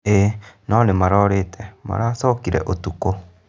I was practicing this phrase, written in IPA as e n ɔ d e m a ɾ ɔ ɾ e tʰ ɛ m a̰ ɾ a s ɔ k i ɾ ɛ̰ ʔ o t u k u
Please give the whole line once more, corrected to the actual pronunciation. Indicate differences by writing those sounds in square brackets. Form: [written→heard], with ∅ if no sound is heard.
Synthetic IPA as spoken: e n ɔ [d→n] e m a ɾ ɔ ɾ e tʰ ɛ m a̰ ɾ a s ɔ k i ɾ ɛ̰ ʔ o t u k [u→o]